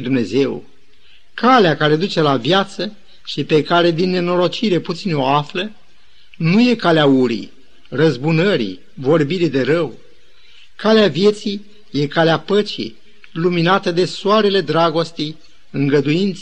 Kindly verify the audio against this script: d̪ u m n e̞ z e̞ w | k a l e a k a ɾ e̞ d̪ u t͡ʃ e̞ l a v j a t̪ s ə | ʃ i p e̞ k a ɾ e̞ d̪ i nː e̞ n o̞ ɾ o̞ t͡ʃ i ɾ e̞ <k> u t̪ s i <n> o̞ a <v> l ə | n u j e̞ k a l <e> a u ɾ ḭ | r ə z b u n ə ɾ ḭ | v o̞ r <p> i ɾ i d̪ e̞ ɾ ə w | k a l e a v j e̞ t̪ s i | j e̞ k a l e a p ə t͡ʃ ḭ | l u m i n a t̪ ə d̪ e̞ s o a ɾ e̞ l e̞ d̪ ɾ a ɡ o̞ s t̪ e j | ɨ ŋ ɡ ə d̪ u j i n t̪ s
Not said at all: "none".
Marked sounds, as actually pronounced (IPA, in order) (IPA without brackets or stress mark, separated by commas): p, n, f, e, b